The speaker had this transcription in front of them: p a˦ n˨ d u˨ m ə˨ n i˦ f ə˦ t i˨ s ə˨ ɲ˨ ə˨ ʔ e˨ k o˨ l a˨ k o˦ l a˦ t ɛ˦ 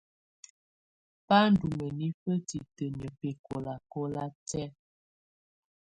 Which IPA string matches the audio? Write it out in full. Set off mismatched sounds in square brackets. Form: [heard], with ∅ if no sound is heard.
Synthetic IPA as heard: p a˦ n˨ d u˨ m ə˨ n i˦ f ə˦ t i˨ [t] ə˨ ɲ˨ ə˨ [p] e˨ k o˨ l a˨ k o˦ l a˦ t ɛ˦